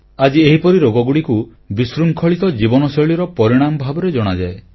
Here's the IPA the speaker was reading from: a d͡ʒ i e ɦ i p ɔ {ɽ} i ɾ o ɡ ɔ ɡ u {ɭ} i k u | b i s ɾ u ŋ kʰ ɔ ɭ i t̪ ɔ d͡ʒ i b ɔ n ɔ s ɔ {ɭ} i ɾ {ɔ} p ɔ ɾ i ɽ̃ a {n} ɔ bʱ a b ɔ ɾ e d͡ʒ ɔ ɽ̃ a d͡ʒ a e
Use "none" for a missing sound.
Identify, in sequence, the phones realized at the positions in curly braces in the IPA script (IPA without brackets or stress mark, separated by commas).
ɾ, ɽ, ɭ, ɔ, m